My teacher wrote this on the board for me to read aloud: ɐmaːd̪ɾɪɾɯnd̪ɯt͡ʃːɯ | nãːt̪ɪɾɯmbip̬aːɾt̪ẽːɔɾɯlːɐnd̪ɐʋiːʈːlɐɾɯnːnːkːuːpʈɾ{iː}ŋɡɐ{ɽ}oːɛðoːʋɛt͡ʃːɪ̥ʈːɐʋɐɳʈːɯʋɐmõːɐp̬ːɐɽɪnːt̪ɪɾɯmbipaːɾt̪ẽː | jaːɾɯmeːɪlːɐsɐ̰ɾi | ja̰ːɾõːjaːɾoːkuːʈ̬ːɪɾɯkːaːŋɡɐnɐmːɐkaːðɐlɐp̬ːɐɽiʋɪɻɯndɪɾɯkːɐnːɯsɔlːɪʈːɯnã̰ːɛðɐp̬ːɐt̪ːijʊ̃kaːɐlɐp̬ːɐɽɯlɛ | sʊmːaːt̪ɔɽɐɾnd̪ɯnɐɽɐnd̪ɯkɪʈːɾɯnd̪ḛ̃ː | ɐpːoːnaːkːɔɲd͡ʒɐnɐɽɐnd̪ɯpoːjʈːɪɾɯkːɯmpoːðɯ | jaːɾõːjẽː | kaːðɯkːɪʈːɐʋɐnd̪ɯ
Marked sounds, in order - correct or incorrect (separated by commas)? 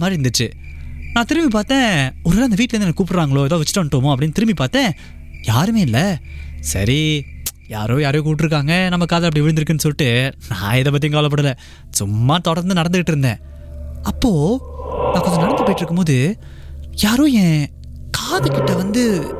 incorrect, incorrect